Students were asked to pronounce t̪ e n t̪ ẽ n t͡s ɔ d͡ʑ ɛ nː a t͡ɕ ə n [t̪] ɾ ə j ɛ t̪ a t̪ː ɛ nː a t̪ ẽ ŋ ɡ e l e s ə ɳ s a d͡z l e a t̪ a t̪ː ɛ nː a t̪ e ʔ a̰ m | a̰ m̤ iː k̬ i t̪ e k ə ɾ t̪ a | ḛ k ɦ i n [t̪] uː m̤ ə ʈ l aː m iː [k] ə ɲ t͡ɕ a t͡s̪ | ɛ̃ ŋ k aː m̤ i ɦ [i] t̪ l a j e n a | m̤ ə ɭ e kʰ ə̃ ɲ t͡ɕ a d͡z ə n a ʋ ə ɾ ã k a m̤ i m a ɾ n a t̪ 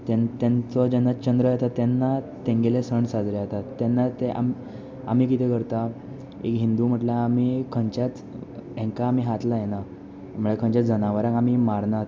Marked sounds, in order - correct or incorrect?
incorrect: d̪, incorrect: d̪, incorrect: kʰ, incorrect: a

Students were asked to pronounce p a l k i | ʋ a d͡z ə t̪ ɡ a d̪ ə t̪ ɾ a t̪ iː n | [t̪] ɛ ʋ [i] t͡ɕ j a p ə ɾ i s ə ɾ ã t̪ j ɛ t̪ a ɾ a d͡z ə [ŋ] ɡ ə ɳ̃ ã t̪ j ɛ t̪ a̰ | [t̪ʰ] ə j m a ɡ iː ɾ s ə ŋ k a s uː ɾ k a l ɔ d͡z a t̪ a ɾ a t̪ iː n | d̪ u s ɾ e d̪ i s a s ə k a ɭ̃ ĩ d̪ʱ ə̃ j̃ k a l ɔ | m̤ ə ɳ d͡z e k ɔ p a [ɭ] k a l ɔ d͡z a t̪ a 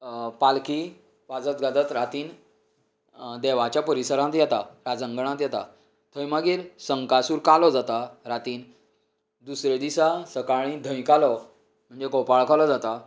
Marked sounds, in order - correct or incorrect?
incorrect: d̪, incorrect: a, correct, correct, correct

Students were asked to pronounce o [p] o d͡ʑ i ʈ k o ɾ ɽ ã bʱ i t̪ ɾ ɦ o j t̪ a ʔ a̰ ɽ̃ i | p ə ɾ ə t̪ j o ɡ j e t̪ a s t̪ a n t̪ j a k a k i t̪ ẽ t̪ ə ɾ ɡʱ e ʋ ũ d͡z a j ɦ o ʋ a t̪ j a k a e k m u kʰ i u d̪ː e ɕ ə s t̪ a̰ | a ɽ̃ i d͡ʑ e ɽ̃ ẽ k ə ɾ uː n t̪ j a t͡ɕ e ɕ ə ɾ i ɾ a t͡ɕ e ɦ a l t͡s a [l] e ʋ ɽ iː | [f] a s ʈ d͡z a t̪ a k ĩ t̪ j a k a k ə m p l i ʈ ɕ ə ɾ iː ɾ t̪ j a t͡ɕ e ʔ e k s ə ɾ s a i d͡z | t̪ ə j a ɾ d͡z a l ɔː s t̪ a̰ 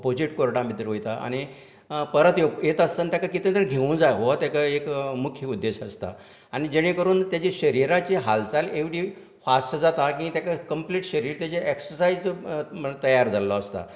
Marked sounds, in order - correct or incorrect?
correct, correct, correct

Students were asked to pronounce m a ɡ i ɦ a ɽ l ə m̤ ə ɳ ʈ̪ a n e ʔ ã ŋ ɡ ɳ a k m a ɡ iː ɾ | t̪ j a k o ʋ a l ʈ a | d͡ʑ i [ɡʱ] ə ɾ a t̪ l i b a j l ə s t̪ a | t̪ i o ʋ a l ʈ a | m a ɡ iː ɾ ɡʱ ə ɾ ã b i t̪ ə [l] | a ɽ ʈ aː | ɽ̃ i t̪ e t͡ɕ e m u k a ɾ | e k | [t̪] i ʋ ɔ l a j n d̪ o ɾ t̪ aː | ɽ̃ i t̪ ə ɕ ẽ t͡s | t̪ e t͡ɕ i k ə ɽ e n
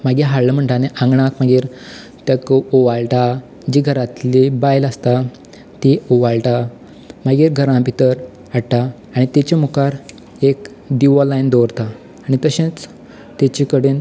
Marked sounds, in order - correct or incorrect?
correct, incorrect: ɾ, incorrect: d̪

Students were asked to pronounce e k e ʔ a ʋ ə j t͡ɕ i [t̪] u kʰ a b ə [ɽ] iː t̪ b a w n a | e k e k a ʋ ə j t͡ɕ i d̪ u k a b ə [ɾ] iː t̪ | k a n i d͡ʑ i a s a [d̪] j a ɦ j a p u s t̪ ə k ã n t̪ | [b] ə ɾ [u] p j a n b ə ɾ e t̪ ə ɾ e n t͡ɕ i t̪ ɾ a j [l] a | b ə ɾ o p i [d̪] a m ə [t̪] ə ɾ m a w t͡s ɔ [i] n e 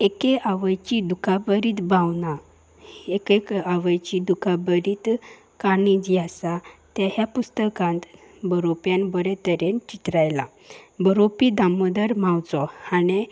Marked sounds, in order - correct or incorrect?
incorrect: d̪, incorrect: ɾ, correct, incorrect: t̪, correct, incorrect: o, correct, correct, incorrect: d̪, incorrect: a

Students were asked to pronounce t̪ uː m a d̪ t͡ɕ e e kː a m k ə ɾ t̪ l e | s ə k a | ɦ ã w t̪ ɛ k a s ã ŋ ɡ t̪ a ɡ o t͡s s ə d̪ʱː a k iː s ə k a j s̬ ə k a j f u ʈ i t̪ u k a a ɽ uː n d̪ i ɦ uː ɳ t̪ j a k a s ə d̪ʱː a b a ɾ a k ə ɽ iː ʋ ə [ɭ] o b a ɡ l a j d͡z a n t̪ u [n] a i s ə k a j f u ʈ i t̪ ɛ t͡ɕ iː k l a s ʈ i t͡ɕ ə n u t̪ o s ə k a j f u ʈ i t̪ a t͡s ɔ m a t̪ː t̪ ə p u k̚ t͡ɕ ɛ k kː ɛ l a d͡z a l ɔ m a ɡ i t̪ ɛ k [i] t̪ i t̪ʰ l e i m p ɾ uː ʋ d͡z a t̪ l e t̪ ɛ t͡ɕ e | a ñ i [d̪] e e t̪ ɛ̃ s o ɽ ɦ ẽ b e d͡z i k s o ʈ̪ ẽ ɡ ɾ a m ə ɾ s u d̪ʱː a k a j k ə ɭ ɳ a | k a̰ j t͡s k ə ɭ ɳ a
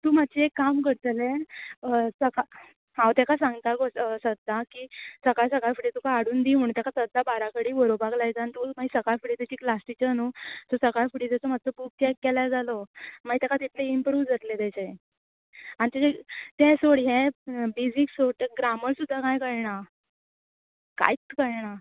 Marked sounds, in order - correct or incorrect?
incorrect: ɾ, incorrect: m, incorrect: a, incorrect: t̪

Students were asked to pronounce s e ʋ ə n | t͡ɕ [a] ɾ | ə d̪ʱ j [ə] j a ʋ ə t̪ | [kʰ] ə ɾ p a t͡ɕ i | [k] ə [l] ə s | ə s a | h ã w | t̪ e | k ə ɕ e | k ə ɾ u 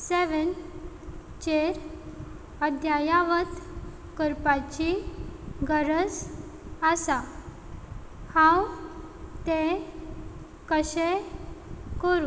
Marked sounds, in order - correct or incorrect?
incorrect: e, incorrect: a, incorrect: k, incorrect: ɡ, incorrect: ɾ

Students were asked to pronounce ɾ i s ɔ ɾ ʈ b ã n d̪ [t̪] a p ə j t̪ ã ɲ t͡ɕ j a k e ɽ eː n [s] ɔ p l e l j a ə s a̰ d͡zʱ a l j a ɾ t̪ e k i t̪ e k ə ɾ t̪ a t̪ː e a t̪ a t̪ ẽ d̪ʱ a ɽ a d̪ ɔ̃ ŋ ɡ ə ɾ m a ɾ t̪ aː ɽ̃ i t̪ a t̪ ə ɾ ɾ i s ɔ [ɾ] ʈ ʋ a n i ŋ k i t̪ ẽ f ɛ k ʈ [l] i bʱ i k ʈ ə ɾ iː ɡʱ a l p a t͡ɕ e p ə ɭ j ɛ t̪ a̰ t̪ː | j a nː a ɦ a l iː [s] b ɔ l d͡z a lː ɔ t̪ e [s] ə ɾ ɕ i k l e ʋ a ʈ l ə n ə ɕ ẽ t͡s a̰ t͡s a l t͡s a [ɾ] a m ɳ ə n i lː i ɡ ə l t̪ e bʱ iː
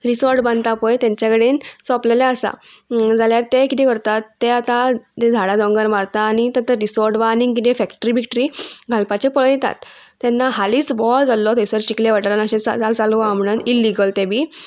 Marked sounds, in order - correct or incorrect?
correct, correct, correct, incorrect: ɾ, incorrect: t͡s, correct, incorrect: l

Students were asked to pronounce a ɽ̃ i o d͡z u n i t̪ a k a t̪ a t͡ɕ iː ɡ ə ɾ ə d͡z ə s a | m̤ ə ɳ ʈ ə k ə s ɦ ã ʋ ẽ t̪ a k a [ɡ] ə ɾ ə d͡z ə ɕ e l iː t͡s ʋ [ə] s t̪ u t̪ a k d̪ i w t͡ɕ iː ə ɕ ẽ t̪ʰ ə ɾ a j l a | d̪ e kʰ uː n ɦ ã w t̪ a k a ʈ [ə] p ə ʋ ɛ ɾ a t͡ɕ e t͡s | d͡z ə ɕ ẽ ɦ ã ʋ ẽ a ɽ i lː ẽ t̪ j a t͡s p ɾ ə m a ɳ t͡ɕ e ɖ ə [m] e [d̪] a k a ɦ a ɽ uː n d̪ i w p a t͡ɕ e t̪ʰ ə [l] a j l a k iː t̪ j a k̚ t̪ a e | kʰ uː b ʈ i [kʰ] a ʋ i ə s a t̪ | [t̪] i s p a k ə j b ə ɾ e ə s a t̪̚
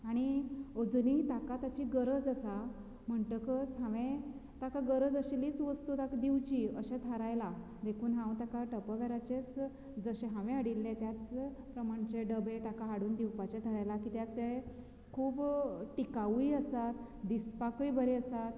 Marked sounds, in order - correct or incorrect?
correct, correct, correct, incorrect: b, incorrect: t̪, incorrect: ɾ, incorrect: k, incorrect: d̪

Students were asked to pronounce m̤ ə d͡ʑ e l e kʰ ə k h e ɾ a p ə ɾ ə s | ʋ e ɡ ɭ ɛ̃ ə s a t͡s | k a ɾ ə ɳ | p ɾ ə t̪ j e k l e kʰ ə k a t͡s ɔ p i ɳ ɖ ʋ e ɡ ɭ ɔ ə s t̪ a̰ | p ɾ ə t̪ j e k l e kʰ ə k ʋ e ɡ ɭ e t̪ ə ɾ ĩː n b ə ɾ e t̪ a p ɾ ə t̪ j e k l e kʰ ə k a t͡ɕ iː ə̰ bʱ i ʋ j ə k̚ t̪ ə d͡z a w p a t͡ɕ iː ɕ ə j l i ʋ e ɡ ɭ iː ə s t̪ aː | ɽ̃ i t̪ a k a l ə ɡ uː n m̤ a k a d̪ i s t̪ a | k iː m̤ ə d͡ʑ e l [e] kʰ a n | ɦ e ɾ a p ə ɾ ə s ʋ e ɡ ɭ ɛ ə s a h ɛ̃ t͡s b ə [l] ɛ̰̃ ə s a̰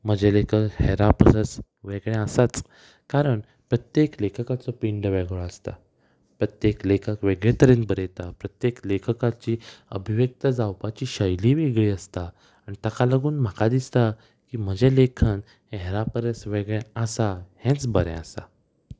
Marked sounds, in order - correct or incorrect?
correct, incorrect: ɾ

